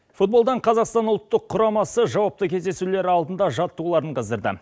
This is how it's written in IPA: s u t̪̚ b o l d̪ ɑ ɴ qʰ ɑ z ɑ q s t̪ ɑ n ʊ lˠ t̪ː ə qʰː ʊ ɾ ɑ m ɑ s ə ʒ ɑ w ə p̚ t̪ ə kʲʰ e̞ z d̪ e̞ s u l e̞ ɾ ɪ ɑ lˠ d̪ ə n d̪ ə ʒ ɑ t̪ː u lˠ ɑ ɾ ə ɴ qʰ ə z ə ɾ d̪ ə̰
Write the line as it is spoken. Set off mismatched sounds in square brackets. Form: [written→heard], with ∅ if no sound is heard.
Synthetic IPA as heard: [s→f] u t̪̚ b o l d̪ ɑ ɴ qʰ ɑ z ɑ q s t̪ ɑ n ʊ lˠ t̪ː ə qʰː ʊ ɾ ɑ m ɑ s ə ʒ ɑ w [ə→ɑ] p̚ t̪ ə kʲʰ e̞ z d̪ e̞ s u l e̞ ɾ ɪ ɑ lˠ d̪ ə n d̪ [ə→ɑ] ʒ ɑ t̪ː u lˠ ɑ ɾ ə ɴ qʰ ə z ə ɾ d̪ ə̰